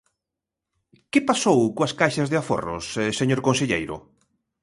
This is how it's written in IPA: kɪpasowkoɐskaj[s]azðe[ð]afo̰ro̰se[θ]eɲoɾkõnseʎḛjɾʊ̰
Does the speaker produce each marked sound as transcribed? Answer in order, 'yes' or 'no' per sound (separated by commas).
no, no, no